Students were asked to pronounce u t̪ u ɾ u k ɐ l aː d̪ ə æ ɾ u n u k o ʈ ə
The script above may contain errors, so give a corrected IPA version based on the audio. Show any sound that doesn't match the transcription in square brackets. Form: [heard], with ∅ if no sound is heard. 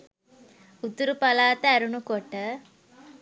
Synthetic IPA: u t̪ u ɾ u [p] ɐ l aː [t̪] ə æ ɾ u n u k o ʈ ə